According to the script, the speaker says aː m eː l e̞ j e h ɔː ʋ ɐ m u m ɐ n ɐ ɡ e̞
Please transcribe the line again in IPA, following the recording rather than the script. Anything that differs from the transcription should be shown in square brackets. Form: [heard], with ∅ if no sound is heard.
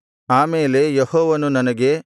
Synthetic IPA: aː m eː l e̞ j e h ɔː ʋ ɐ [n] u [n] ɐ n ɐ ɡ e̞